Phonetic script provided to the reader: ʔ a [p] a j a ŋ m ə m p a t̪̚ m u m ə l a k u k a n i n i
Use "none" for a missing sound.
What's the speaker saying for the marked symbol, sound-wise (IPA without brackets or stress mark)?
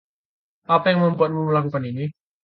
p